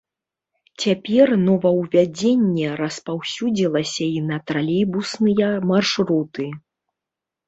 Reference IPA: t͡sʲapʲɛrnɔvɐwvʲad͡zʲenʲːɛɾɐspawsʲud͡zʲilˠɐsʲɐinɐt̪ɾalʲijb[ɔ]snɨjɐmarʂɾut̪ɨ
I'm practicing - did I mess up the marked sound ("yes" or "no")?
yes